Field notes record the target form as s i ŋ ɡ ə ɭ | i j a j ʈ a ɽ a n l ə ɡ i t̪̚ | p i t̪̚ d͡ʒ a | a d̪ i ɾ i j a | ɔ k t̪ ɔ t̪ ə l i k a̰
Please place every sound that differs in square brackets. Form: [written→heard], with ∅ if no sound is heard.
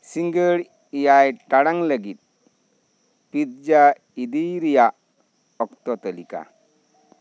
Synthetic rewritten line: s i ŋ ɡ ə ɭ | i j a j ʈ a ɽ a [n→ŋ] l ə ɡ i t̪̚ | p i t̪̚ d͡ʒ a | [a→i] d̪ i ɾ i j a | ɔ k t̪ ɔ t̪ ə l i k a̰